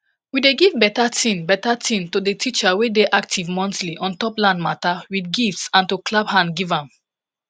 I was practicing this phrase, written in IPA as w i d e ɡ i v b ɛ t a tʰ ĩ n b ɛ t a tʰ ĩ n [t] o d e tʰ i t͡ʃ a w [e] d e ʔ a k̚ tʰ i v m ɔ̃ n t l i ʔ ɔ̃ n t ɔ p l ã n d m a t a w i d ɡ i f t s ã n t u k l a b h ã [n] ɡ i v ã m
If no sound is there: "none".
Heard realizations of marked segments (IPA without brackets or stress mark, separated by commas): t, e, n